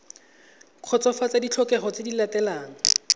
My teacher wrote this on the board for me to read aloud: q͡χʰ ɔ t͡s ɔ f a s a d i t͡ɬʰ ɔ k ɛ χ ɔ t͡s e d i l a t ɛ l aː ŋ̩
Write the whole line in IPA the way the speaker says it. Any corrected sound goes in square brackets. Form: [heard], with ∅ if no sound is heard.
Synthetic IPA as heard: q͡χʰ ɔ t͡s ɔ f a [t͡s] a d i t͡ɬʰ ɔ k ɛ χ ɔ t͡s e d i l a t ɛ l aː ŋ̩

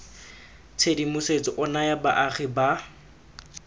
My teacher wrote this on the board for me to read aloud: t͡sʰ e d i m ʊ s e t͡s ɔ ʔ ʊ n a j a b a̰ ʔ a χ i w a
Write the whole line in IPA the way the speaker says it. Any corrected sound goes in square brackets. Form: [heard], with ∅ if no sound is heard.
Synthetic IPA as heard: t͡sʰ e d i m ʊ s e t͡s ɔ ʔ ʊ n a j a b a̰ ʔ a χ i [b] a

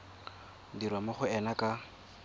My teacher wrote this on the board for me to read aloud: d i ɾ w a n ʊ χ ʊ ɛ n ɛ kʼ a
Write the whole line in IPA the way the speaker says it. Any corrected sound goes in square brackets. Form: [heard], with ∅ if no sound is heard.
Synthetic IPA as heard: d i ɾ w a [m] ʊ χ ʊ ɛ n [a] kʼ a

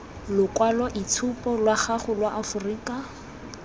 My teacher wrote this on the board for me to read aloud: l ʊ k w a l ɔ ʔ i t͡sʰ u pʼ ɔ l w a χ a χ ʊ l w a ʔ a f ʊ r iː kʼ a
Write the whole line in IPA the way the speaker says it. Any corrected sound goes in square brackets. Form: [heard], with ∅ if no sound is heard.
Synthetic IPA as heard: l ʊ k w a l ɔ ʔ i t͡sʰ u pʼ ɔ l w a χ a χ ʊ l w a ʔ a f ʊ r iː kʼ a

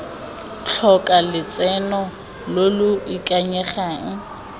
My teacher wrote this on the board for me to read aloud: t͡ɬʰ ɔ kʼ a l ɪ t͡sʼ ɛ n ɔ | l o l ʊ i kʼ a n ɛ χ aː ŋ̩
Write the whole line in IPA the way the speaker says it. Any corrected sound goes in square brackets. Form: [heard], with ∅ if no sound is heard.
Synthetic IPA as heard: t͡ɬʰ ɔ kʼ a l ɪ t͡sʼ ɛ n ɔ | l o l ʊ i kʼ a [ɲ] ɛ χ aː ŋ̩

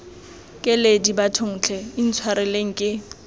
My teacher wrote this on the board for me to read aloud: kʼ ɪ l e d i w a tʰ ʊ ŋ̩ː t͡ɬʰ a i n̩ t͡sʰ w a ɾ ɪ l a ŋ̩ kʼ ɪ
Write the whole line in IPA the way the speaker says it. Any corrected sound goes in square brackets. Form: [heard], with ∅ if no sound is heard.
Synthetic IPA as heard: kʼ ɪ l e d i [b] a tʰ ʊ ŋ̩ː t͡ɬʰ [ɛ] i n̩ t͡sʰ w a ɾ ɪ l [e] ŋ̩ kʼ ɪ

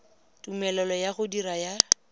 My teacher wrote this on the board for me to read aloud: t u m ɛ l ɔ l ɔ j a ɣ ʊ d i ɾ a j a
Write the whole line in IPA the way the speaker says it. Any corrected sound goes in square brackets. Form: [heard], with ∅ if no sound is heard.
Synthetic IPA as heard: t u m ɛ l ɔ l ɔ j a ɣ ʊ d i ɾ a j a

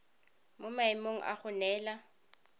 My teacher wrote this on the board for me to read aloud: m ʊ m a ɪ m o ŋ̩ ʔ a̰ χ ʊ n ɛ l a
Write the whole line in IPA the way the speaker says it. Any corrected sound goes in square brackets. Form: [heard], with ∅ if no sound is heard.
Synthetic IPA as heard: m ʊ m a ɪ m o ŋ̩ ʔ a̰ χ ʊ n [ɛː] l a

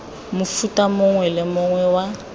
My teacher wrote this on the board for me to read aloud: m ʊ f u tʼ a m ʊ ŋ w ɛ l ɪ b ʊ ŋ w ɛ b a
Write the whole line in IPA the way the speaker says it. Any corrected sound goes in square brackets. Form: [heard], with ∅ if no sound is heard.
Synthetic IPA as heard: m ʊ f u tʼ a m ʊ ŋ w ɛ l ɪ [m] ʊ ŋ w ɛ [w] a

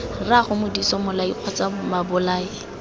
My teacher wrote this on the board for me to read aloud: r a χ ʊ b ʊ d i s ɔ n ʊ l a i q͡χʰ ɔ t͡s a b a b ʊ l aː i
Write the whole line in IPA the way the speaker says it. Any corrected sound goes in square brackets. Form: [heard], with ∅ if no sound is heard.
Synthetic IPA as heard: r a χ ʊ [m] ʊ d i s ɔ [m] ʊ l a i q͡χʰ ɔ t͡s a [m] a b ʊ l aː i

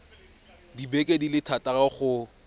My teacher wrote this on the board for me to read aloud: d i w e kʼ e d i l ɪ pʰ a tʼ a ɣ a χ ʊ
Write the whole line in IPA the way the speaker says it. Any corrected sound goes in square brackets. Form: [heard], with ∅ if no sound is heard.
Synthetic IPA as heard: d i [b] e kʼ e d i l ɪ [tʰ] a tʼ a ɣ a χ ʊ

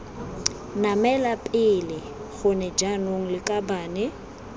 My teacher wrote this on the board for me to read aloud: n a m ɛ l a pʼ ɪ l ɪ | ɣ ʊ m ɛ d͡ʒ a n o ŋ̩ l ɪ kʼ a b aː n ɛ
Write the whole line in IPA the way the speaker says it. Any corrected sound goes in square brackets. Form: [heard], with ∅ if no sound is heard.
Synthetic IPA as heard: n a m ɛ l a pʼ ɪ l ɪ | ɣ ʊ [n] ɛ d͡ʒ a n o ŋ̩ l ɪ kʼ a b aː n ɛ

